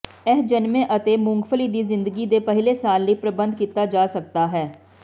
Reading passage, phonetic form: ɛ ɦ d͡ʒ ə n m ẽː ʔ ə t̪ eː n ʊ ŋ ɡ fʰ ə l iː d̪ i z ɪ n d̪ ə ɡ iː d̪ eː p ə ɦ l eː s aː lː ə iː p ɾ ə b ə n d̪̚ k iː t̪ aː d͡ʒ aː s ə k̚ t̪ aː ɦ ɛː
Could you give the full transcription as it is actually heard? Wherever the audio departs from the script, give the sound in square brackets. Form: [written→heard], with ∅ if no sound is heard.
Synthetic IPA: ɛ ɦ d͡ʒ ə n m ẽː ʔ ə t̪ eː [n→m] ʊ ŋ ɡ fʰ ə l iː d̪ [i→iː] z ɪ n d̪ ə ɡ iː d̪ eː p ə ɦ l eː s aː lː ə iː p ɾ ə b ə n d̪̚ k iː t̪ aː d͡ʒ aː s ə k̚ t̪ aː ɦ ɛː